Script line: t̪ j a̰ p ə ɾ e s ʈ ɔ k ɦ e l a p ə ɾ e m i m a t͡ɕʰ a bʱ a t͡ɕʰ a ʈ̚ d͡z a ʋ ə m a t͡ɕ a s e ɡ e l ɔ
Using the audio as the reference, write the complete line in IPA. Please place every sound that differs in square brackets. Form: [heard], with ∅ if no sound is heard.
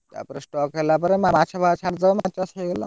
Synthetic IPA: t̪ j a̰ p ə ɾ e s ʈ ɔ k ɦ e l a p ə ɾ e m [a] m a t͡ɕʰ a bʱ a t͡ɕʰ a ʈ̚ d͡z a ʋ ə m a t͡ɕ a s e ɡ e l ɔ